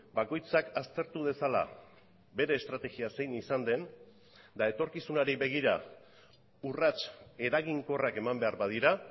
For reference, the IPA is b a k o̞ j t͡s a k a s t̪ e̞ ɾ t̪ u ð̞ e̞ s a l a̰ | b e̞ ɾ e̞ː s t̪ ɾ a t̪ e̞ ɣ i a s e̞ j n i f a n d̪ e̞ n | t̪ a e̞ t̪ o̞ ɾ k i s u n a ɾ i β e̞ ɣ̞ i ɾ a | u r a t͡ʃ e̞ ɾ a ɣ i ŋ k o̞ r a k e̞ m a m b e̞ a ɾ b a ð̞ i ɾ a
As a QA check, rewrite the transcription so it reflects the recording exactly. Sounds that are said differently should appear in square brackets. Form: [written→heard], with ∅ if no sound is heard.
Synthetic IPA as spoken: b a k o̞ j t͡s a k a s t̪ e̞ ɾ t̪ u ð̞ e̞ s a l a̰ | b e̞ ɾ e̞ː s t̪ ɾ a t̪ e̞ ɣ i a s e̞ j n i [f→s] a n d̪ e̞ n | [t̪→d̪] a e̞ t̪ o̞ ɾ k i s u n a ɾ i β e̞ ɣ̞ i ɾ a | u r a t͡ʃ e̞ ɾ a ɣ i ŋ k o̞ r a k e̞ m a m b e̞ a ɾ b a ð̞ i ɾ a